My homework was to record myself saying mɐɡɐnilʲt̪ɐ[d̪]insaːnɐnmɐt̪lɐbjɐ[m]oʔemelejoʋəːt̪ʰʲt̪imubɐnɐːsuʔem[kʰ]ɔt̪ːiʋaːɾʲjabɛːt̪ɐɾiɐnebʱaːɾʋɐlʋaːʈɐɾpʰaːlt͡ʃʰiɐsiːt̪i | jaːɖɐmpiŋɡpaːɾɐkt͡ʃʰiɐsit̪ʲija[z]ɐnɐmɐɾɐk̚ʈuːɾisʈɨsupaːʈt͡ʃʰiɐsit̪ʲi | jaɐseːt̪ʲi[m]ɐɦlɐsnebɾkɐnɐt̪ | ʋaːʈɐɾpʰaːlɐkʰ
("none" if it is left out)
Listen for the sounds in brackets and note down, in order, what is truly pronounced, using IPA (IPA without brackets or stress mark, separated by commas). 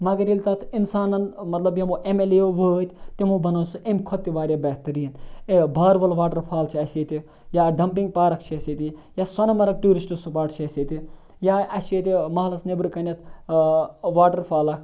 t̪, m, kʰ, s, m